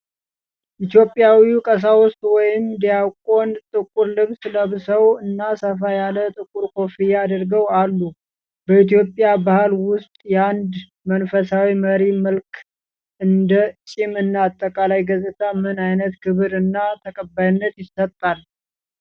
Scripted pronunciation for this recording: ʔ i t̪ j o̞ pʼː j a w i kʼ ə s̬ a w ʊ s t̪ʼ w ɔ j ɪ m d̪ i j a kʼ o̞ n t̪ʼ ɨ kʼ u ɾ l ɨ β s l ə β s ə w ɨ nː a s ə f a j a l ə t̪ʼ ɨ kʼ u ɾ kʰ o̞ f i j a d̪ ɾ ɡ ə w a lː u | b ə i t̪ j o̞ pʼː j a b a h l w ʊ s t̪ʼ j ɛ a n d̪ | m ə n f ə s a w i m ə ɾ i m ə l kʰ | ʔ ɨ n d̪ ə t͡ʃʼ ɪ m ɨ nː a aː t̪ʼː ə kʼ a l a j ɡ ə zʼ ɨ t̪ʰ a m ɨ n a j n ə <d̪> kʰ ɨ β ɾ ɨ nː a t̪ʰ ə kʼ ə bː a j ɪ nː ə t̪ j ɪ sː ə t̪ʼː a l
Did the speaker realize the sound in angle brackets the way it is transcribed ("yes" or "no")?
no